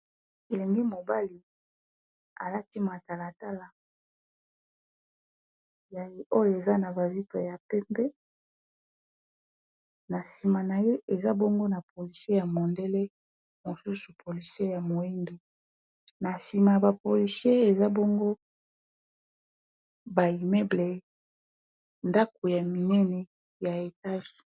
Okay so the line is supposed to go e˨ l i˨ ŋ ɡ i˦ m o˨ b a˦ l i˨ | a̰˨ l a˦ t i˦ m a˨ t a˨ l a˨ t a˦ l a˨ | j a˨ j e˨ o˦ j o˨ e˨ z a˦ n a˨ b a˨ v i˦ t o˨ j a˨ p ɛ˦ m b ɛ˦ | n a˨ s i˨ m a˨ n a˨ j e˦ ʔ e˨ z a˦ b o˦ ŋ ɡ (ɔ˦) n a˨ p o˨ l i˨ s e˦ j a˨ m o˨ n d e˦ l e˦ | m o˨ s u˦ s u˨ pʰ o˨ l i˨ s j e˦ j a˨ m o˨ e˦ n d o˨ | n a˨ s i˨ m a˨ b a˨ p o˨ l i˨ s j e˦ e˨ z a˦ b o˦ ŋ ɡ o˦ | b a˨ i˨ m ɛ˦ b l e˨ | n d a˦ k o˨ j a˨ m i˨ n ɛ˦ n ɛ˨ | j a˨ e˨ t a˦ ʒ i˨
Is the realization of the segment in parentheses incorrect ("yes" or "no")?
yes